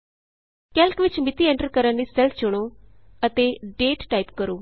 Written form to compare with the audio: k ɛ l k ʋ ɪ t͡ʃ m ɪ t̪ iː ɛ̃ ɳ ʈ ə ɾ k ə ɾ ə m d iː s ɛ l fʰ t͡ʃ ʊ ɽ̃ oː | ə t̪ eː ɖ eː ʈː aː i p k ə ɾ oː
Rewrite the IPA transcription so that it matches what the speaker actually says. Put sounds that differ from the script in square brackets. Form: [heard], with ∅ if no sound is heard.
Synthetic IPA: k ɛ l k ʋ ɪ t͡ʃ m ɪ t̪ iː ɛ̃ ɳ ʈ ə ɾ k ə ɾ ə [n] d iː s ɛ l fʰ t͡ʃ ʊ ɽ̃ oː | ə t̪ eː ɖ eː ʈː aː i p k ə ɾ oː